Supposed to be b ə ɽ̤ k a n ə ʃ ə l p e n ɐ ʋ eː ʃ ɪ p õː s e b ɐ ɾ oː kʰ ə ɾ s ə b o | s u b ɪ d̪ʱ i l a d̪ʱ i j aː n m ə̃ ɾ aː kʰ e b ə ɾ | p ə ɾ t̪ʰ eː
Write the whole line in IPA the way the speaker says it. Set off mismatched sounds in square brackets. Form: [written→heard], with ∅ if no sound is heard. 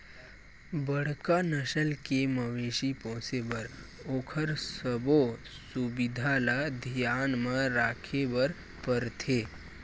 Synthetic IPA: b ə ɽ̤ k a n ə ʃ ə l [p→k] e [n→m] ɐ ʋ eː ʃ [ɪ→i] p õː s e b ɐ ɾ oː kʰ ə ɾ s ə b o | s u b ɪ d̪ʱ [i→a] l a d̪ʱ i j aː n m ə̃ ɾ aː kʰ e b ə ɾ | p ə ɾ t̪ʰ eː

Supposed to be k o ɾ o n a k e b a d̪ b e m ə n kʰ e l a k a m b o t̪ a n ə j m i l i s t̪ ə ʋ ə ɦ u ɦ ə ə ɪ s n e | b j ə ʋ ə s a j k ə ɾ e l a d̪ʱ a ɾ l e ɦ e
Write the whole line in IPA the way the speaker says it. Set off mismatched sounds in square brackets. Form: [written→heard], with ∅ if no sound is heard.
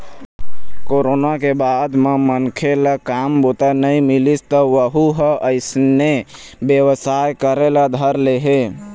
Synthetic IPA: k o ɾ o n a k e b a d̪ [b→m] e m ə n kʰ e l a k a m b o t̪ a n ə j m i l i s t̪ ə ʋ ə ɦ u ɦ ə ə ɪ s n e | b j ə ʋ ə s a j k ə ɾ e l a d̪ʱ [a→ə] ɾ l e ɦ e

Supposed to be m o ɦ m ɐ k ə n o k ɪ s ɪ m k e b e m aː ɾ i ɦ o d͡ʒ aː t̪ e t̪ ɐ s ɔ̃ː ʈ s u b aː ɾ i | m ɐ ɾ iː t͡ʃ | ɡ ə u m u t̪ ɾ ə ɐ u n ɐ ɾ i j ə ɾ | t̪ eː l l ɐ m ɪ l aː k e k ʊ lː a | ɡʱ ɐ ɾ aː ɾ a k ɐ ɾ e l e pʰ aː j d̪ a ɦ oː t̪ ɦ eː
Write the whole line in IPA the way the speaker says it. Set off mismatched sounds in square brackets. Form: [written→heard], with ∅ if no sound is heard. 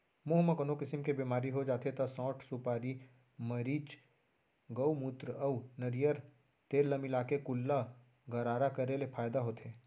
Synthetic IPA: m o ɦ m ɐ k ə n o k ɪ s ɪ m k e b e m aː ɾ i ɦ o d͡ʒ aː t̪ e t̪ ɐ s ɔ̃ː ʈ s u [b→p] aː ɾ i | m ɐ ɾ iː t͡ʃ | ɡ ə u m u t̪ ɾ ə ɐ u n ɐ ɾ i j ə ɾ | t̪ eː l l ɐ m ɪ l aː k e k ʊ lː a | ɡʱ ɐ ɾ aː ɾ a k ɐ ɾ e l e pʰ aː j d̪ a ɦ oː t̪ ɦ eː

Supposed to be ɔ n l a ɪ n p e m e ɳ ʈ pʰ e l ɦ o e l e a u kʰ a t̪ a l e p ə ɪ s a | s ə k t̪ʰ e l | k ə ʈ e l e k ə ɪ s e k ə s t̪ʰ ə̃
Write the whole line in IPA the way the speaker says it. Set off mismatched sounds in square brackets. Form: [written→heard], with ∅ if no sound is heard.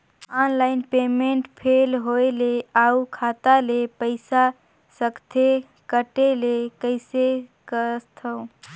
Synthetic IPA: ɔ n l a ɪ n p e m e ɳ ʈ pʰ e l ɦ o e l e a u kʰ a t̪ a l e p ə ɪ s a | s ə k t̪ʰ e [l→∅] | k ə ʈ e l e k ə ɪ s e k ə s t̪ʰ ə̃

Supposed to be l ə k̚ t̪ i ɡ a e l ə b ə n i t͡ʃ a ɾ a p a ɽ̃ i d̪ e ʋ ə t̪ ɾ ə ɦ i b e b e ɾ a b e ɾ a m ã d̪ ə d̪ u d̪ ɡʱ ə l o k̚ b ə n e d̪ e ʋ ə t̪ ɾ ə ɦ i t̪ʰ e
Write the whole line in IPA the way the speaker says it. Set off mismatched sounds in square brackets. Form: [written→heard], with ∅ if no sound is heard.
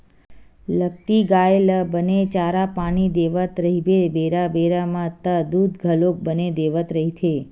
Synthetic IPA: l ə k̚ t̪ i ɡ a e l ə b ə n [i→e] t͡ʃ a ɾ a p a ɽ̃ i d̪ e ʋ ə t̪ ɾ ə ɦ i b e b e ɾ a b e ɾ a m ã [d̪→t̪] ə d̪ u d̪ ɡʱ ə l o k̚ b ə n e d̪ e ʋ ə t̪ ɾ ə ɦ i t̪ʰ e

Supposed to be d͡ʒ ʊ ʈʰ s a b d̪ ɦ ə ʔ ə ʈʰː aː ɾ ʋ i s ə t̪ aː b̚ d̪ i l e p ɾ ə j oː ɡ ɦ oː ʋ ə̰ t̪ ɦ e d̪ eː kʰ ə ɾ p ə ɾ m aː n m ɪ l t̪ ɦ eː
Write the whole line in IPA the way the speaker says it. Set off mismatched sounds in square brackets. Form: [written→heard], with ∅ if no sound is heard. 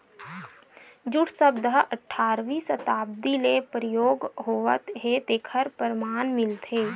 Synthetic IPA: d͡ʒ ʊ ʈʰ s [a→ə] b d̪ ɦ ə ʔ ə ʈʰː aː ɾ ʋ i s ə t̪ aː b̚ d̪ i l e p ɾ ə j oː ɡ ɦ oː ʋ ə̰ t̪ ɦ e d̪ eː kʰ ə ɾ p ə ɾ m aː n m ɪ l t̪ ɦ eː

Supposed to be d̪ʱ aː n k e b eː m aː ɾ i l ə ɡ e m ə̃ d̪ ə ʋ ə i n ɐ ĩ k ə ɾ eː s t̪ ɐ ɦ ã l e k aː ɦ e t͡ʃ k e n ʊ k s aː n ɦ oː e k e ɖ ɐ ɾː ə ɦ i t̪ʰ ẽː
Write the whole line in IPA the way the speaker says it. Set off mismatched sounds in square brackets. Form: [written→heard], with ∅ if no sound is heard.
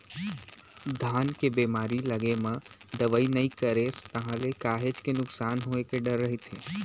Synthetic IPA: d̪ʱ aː n k e b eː m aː ɾ i l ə ɡ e m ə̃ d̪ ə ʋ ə i n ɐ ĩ k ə ɾ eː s t̪ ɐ ɦ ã l e k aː ɦ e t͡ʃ k e n ʊ k s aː n ɦ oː e k e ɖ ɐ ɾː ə ɦ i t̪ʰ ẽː

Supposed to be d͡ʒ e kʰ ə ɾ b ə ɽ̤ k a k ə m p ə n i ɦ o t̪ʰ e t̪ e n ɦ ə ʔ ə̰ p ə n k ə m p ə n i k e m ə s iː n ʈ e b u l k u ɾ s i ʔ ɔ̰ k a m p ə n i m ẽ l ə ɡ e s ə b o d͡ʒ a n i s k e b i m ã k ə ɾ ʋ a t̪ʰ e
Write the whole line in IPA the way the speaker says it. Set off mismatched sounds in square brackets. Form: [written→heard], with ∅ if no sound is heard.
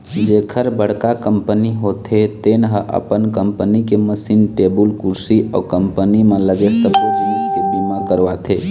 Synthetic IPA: d͡ʒ e kʰ ə ɾ b ə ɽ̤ k a k ə m p ə n i ɦ o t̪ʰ e t̪ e n ɦ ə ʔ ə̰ p ə n k ə m p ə n i k e m ə s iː n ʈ e b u l k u ɾ s i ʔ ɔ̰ k [a→ə] m p ə n i m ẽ l ə ɡ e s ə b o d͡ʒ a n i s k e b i m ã k ə ɾ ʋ a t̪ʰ e

